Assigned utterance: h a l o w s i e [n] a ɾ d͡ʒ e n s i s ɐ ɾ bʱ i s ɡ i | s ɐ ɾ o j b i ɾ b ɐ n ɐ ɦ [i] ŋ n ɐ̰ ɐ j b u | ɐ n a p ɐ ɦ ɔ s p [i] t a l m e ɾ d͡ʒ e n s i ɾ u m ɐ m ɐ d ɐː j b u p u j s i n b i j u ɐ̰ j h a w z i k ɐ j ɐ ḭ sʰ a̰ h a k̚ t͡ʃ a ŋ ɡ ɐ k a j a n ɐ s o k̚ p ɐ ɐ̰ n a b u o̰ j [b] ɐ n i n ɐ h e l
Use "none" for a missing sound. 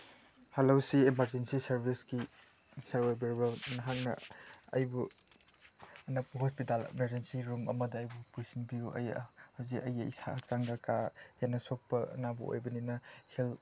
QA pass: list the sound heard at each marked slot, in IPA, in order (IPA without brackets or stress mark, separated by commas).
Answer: m, a, i, b